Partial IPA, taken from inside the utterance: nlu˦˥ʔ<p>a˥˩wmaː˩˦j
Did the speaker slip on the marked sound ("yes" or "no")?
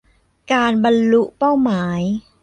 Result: no